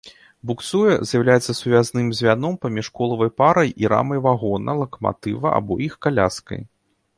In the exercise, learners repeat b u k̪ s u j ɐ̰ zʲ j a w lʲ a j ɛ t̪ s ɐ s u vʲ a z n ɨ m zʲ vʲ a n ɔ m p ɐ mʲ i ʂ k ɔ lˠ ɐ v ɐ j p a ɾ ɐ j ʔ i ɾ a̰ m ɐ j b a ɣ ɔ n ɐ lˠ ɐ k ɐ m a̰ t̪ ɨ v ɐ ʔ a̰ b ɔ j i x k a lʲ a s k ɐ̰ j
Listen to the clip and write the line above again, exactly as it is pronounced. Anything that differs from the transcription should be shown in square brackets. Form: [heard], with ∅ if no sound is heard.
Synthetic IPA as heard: b u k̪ s u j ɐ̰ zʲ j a w lʲ a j ɛ t̪ s ɐ s u vʲ a z n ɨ m zʲ vʲ a n ɔ m p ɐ mʲ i ʂ k ɔ lˠ ɐ v ɐ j p a ɾ ɐ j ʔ i ɾ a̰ m ɐ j [v] a ɣ ɔ n ɐ lˠ ɐ k ɐ m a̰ t̪ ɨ v ɐ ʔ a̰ b ɔ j i x k a lʲ a s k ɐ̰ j